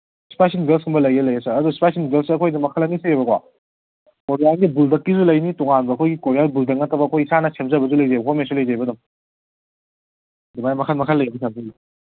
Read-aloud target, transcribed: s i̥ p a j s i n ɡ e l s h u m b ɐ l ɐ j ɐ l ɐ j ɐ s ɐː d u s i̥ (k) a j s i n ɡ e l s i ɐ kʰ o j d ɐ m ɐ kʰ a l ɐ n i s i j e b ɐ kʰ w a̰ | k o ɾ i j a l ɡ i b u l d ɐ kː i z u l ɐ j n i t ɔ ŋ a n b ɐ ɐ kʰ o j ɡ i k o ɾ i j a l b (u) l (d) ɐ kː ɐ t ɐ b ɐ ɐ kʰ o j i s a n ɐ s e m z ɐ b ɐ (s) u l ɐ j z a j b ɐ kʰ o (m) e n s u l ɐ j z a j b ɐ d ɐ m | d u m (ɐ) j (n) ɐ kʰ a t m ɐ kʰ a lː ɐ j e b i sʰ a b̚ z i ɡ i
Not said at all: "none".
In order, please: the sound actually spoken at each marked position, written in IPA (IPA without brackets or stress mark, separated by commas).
p, u, d, z, m, a, m